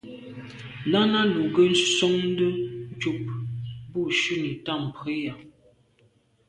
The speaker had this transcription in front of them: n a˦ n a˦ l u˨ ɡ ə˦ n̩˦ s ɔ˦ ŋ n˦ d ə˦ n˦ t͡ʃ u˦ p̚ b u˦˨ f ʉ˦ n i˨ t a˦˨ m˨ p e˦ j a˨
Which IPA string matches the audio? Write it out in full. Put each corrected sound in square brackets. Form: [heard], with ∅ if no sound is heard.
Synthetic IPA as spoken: n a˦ n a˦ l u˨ ɡ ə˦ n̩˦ s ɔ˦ ŋ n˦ d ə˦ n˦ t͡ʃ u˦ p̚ b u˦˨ [ʃ] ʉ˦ n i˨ t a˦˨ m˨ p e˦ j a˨